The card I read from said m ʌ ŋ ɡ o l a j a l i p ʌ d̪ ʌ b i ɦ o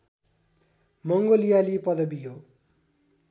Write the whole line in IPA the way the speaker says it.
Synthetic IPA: m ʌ ŋ ɡ o l i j a l i p ʌ d̪ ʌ b i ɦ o